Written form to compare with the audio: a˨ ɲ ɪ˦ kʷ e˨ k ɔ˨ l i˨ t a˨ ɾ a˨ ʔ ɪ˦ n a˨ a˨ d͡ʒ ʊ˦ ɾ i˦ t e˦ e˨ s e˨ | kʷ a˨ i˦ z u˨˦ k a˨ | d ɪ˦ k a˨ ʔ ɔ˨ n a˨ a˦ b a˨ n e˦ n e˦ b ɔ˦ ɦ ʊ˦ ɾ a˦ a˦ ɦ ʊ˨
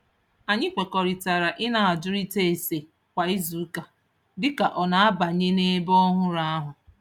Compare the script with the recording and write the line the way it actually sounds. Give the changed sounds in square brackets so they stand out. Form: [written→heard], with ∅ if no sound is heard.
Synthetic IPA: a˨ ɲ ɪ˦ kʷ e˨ k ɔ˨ [l→ɾ] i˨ t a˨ ɾ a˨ ʔ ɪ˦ n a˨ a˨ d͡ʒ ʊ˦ ɾ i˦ t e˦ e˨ s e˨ | kʷ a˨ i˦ z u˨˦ k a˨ | d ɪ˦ k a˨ ʔ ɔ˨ n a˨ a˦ b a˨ [n→ɲ] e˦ n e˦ b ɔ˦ ɦ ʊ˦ ɾ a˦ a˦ ɦ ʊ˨